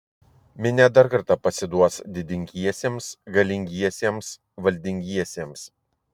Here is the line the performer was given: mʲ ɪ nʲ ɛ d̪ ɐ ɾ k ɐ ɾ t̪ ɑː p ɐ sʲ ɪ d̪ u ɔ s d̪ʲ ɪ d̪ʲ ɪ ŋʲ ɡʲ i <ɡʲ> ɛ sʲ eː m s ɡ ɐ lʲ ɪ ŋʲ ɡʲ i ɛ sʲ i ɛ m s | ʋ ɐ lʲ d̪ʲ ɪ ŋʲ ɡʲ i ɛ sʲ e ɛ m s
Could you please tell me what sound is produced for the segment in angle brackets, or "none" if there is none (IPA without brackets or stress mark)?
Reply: none